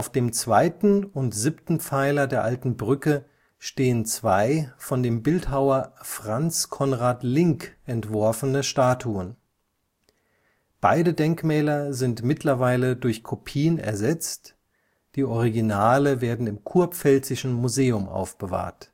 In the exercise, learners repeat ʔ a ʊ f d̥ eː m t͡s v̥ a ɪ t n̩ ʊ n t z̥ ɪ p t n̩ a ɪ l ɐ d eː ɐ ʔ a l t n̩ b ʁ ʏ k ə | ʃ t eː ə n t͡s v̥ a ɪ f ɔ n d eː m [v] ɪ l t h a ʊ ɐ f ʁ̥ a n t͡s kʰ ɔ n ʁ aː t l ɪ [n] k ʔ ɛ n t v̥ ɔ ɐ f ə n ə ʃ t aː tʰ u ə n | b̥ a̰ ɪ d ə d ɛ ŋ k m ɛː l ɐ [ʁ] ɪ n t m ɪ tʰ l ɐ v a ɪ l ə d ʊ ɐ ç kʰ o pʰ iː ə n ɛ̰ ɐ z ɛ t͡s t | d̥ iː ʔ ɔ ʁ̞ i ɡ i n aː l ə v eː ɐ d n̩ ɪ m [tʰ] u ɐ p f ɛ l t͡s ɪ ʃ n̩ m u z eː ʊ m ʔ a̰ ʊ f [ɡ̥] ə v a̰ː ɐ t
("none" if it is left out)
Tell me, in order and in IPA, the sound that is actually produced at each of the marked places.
b, ŋ, z, kʰ, b̥

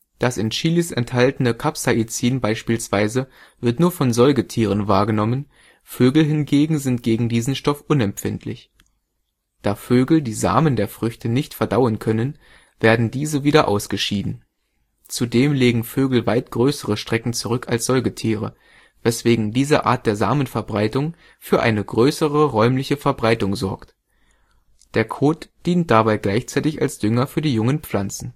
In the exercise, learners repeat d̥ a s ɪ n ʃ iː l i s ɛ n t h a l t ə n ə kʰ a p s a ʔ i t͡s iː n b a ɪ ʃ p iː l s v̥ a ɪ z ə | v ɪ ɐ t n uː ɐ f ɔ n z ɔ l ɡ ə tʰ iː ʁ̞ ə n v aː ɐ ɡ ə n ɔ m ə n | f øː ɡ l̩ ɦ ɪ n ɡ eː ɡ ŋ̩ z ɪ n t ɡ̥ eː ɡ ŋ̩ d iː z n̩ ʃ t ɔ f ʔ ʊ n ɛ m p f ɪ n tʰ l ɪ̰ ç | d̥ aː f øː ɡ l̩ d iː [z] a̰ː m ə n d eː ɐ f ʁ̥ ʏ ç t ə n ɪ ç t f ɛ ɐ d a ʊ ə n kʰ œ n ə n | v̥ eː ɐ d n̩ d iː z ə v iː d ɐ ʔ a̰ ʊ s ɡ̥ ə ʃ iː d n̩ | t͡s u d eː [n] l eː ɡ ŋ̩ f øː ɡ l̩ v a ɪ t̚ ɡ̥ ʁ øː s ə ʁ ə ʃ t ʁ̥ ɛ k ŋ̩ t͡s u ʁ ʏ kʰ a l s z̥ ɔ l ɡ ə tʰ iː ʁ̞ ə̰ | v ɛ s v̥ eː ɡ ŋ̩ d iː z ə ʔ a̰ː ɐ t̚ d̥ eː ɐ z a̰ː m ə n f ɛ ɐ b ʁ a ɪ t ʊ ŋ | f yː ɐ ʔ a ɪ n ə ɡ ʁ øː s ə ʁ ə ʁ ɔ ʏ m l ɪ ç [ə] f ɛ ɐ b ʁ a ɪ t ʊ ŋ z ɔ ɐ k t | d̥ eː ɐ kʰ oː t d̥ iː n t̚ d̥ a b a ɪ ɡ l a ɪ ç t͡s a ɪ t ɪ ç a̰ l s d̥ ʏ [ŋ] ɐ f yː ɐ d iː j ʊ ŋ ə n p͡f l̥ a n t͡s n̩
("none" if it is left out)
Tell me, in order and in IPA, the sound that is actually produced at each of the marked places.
z, m, ə, ŋ

